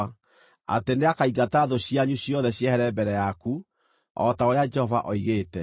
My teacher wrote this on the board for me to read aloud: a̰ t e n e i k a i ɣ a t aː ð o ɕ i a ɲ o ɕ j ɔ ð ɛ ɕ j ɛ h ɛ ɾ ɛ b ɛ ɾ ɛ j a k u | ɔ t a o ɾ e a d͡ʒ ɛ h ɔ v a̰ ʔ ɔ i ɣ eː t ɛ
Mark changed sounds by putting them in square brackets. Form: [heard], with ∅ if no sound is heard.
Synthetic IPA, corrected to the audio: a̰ t e n e [a] k a i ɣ a t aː ð o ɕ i a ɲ [u] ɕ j ɔ ð ɛ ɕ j ɛ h ɛ ɾ ɛ b ɛ ɾ ɛ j a k u | ɔ t a o ɾ e a d͡ʒ ɛ h ɔ v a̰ ʔ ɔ i ɣ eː t ɛ